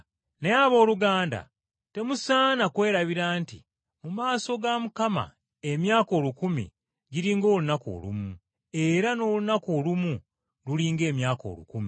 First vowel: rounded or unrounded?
unrounded